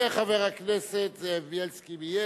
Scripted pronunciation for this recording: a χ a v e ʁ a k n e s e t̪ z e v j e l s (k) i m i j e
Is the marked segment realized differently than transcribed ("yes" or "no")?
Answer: no